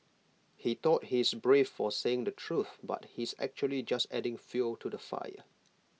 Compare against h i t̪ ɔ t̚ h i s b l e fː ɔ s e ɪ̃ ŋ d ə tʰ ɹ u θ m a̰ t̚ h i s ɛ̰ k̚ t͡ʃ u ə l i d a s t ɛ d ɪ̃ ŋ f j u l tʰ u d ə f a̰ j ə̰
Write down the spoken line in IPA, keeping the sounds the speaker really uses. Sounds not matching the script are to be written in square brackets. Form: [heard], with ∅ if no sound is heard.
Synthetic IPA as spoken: h i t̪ ɔ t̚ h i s b [ɹ] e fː ɔ s e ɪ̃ ŋ d ə tʰ ɹ u θ [b] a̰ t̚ h i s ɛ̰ k̚ t͡ʃ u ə l i [d͡ʒ] a s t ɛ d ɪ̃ ŋ f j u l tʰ u d ə f a̰ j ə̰